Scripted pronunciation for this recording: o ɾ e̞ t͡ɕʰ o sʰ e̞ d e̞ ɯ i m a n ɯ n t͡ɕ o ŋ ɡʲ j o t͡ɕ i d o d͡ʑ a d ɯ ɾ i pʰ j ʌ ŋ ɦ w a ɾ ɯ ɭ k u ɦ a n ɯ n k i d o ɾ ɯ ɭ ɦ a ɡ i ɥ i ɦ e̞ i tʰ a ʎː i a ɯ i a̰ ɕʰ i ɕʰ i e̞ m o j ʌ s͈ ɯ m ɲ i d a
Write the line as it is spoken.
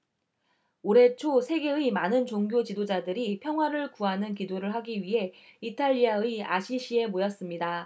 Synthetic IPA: o ɾ e̞ t͡ɕʰ o sʰ e̞ ɡ e̞ ɯ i m a n ɯ n t͡ɕ o ŋ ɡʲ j o t͡ɕ i d o d͡ʑ a d ɯ ɾ i pʰ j ʌ ŋ ɦ w a ɾ ɯ ɭ k u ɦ a n ɯ n k i d o ɾ ɯ ɭ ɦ a ɡ i ɥ i ɦ e̞ i tʰ a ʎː i a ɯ i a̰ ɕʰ i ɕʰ i e̞ m o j ʌ s͈ ɯ m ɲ i d a